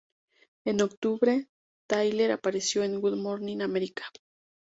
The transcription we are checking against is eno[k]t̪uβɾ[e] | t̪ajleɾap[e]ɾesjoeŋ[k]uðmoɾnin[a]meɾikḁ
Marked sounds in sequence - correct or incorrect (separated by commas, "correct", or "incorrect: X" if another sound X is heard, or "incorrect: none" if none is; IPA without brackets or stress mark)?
correct, correct, incorrect: a, incorrect: ɡ, correct